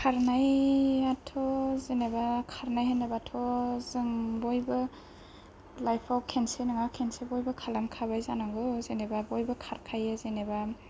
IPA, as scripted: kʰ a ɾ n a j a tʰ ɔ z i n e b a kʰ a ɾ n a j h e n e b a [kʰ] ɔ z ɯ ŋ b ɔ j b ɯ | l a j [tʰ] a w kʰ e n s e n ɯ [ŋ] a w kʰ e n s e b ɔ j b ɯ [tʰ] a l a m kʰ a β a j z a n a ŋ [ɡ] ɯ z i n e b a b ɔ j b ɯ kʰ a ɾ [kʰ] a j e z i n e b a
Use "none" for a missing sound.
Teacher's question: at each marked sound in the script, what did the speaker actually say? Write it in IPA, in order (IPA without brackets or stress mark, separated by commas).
tʰ, pʰ, ŋ, kʰ, ɡ, kʰ